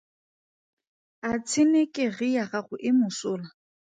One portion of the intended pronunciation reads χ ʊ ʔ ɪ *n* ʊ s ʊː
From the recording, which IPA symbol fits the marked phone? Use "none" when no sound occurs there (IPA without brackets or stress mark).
m